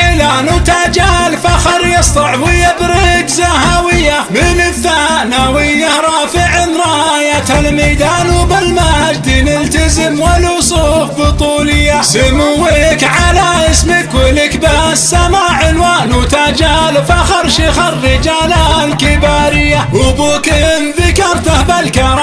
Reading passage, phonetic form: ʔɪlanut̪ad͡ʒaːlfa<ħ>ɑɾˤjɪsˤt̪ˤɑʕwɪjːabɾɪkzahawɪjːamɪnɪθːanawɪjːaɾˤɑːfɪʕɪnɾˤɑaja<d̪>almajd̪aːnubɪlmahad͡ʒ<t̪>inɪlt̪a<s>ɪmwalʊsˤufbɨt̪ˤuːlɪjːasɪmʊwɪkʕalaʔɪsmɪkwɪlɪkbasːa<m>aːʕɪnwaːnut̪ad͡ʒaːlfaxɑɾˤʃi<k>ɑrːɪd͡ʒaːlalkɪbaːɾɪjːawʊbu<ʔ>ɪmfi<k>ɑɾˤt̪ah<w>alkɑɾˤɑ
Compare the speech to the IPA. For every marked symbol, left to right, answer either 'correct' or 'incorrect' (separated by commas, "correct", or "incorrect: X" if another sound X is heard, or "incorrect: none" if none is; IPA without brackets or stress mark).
incorrect: x, incorrect: t̪, incorrect: d̪, incorrect: z, correct, incorrect: x, incorrect: k, correct, incorrect: b